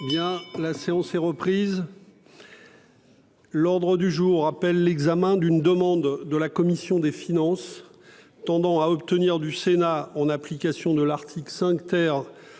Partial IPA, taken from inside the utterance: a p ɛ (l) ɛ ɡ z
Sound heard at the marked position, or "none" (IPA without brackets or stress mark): lː